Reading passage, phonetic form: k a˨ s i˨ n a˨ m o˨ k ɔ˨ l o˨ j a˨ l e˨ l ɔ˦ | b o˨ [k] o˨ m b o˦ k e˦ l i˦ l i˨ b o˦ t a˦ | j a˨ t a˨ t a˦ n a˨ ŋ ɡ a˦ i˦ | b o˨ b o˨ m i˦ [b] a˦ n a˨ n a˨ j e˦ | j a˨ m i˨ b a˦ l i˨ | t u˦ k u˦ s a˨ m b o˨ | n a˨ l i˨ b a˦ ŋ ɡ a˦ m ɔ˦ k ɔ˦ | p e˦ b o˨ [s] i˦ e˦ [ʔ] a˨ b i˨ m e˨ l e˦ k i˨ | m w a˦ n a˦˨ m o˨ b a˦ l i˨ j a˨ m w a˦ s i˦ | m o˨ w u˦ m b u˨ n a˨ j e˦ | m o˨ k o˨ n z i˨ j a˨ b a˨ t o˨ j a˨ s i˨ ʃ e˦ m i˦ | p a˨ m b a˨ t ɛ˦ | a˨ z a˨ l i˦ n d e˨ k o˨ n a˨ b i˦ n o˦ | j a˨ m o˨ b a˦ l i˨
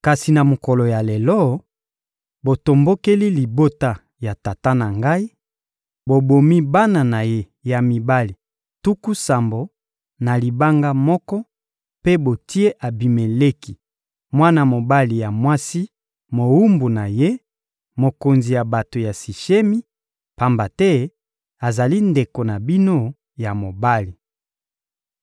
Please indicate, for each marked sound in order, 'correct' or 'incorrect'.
incorrect: t, correct, incorrect: t, correct

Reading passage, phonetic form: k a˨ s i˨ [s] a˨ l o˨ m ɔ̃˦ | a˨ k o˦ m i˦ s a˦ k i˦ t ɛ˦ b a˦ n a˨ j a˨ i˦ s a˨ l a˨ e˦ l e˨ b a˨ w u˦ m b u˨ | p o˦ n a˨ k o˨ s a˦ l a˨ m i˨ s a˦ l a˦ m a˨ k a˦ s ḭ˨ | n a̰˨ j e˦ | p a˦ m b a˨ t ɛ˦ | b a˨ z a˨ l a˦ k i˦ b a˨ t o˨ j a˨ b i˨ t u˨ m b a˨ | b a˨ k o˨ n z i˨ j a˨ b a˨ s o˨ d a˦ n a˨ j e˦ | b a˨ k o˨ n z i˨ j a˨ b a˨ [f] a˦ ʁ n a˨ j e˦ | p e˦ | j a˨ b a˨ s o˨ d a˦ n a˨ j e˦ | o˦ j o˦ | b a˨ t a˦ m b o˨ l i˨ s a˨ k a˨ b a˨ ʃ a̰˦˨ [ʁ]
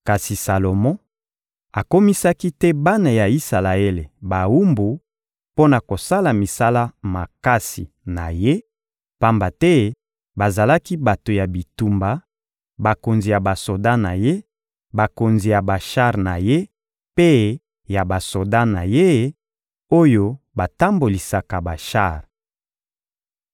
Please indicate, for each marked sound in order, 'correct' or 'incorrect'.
correct, incorrect: ʃ, correct

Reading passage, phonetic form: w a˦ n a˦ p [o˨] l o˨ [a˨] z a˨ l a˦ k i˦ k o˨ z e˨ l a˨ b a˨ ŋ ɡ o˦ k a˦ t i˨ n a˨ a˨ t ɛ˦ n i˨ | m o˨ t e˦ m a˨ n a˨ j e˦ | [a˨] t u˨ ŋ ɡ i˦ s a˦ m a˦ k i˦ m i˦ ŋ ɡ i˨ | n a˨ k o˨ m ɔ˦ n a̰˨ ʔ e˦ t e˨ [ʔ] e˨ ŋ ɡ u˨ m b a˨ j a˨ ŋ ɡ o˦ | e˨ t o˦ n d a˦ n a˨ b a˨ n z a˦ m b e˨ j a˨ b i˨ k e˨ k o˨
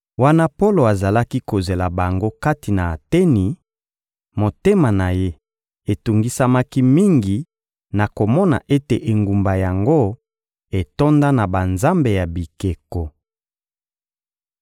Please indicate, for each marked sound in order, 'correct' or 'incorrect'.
incorrect: o˦, correct, incorrect: e˨, correct

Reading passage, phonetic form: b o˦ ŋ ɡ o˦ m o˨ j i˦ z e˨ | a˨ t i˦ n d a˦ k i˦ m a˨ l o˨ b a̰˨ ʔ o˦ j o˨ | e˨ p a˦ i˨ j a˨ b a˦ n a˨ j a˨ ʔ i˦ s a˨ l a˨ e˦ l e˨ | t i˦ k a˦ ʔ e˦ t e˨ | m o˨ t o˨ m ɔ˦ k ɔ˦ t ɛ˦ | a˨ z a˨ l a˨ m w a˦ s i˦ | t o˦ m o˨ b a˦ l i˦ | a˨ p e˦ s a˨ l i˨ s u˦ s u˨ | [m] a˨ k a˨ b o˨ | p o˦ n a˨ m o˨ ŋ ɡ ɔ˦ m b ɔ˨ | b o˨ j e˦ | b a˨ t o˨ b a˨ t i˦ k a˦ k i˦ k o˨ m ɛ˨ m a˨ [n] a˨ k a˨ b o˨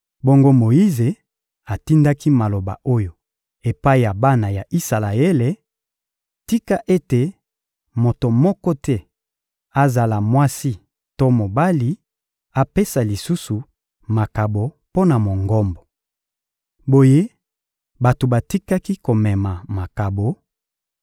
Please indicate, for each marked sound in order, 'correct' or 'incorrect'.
correct, incorrect: m

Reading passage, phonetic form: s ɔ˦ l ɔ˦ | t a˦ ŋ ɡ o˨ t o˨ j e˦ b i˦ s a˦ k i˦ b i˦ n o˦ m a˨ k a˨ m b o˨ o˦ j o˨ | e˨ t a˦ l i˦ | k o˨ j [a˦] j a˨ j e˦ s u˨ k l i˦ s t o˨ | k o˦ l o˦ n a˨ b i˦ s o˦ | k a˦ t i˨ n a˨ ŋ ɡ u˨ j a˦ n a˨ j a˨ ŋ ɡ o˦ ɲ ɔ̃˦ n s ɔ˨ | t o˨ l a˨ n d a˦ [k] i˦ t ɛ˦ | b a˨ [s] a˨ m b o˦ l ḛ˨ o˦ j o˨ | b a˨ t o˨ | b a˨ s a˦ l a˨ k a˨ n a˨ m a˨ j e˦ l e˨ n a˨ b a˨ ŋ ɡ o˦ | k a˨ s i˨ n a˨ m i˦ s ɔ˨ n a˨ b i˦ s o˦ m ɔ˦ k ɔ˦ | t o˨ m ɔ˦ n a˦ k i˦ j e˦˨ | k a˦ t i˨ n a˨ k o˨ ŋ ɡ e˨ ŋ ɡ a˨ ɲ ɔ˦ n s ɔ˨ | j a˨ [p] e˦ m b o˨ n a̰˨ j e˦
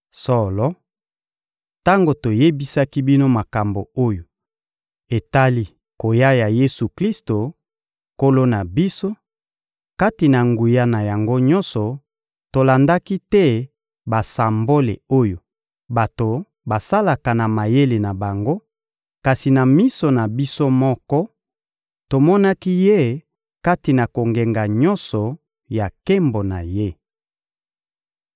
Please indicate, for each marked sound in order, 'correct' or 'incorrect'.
correct, correct, correct, incorrect: k

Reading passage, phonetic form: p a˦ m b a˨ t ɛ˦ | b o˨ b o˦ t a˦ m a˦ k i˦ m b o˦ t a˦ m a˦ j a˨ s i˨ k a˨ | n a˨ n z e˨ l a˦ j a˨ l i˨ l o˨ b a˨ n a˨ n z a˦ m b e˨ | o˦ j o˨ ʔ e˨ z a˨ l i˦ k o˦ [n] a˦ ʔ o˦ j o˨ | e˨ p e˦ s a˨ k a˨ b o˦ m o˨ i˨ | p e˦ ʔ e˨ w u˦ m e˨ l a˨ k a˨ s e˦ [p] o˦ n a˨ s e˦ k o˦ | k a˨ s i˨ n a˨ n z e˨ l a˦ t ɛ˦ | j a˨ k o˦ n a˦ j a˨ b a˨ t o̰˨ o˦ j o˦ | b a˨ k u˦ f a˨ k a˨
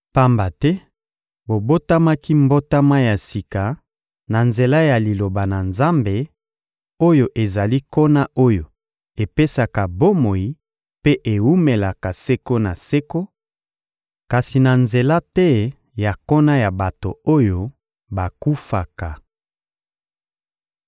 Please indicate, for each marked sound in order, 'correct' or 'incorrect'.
correct, incorrect: k

